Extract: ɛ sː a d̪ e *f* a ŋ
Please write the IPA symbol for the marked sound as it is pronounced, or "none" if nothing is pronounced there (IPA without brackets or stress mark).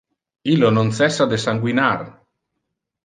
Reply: s